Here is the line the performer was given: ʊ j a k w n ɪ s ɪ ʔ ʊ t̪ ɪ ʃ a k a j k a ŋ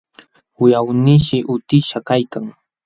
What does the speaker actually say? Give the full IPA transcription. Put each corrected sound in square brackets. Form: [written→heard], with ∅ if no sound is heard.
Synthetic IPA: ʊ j a [k→∅] w n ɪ [s→ʃ] ɪ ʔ ʊ t̪ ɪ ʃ a k a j k a ŋ